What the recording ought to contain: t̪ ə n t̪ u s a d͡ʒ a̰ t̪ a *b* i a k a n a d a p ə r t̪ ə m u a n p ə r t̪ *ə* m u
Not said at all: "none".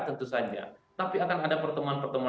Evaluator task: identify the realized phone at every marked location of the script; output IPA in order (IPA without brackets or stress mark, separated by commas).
p, ə